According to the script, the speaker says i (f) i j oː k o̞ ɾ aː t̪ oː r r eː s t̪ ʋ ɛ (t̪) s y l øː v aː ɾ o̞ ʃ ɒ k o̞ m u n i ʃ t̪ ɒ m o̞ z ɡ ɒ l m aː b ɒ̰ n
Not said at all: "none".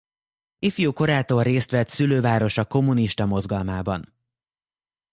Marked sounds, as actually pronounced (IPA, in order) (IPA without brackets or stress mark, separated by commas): f, t̪